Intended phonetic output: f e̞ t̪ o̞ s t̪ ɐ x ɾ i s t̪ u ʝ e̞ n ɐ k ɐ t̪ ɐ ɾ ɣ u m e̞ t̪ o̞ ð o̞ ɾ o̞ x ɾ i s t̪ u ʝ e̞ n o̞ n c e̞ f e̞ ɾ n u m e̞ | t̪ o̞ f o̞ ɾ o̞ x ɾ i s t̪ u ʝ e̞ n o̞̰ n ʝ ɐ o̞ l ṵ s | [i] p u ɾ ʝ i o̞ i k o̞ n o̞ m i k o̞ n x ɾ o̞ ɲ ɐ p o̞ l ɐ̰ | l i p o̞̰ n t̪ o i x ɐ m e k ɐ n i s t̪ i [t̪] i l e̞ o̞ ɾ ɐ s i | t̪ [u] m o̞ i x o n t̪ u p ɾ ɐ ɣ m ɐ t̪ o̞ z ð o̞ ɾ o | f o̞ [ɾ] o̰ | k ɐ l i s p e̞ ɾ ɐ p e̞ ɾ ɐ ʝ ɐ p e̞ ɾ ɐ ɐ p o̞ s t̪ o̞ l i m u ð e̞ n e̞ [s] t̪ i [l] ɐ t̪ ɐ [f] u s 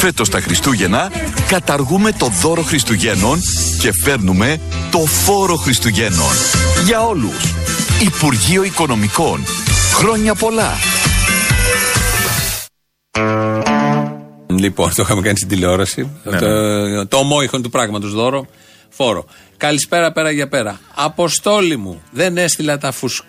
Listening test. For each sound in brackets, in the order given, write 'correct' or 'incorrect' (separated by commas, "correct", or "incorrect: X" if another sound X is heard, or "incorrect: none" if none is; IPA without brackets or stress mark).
correct, incorrect: d̪, incorrect: o, correct, correct, correct, correct